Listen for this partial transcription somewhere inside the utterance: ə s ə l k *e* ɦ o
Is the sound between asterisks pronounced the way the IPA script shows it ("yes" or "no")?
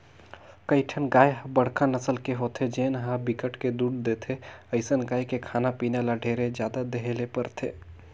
yes